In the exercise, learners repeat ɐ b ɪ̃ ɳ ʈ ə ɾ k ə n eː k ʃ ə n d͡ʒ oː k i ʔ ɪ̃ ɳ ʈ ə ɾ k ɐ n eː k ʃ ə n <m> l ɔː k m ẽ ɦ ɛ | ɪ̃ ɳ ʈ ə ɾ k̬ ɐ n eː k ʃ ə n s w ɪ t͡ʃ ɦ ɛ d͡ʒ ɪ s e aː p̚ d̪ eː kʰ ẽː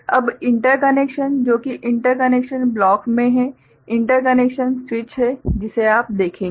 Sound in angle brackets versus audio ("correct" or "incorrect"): incorrect